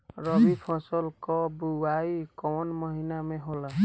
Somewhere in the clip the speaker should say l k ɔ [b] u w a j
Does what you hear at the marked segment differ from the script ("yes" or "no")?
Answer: no